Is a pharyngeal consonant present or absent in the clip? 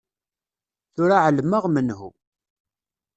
present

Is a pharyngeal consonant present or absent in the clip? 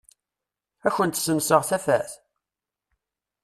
absent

